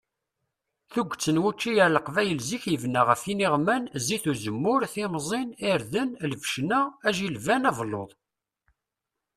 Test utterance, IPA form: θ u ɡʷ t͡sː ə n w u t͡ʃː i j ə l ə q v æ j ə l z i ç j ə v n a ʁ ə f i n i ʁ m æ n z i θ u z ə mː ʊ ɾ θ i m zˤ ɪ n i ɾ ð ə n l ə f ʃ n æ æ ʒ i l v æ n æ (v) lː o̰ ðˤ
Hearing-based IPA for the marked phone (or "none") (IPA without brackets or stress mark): v